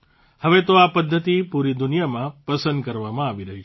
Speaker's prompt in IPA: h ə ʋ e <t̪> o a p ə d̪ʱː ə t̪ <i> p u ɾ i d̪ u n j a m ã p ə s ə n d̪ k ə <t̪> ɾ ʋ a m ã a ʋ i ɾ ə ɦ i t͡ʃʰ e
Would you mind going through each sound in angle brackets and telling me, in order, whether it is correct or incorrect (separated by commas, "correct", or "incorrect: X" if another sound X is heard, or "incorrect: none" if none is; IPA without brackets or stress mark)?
correct, correct, incorrect: none